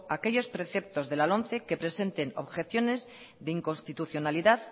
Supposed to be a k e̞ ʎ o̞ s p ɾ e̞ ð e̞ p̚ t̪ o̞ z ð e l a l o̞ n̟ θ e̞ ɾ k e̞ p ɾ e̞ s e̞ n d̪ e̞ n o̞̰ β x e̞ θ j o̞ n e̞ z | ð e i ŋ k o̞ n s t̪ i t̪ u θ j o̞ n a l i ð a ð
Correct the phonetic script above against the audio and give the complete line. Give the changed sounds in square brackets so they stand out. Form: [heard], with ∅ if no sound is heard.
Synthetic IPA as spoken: a k e̞ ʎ o̞ s p ɾ e̞ [θ] e̞ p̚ t̪ o̞ z ð e l a l o̞ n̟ θ e̞ [∅] k e̞ p ɾ e̞ s e̞ n [t̪] e̞ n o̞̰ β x e̞ θ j o̞ n e̞ z | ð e i ŋ k o̞ n s t̪ i t̪ u θ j o̞ n a l i ð a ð